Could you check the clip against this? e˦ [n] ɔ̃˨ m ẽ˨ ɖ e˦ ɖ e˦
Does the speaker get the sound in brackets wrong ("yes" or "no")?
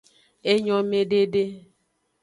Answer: yes